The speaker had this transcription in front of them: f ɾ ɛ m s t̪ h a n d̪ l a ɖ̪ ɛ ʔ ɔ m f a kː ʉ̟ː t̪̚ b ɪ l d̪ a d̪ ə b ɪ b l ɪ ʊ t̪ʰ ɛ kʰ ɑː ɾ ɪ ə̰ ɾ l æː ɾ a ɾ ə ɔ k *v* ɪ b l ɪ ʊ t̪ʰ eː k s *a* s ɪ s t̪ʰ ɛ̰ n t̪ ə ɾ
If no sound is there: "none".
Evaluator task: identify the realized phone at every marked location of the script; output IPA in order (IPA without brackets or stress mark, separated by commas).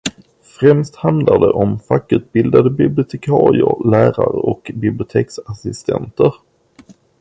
b, a